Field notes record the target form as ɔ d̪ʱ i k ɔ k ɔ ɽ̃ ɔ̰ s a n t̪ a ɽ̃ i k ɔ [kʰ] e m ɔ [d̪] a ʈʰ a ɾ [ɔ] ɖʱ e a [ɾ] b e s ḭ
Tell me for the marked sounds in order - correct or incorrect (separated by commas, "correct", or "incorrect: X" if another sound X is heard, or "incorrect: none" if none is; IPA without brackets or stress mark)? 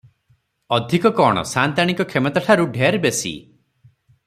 correct, incorrect: t̪, incorrect: u, correct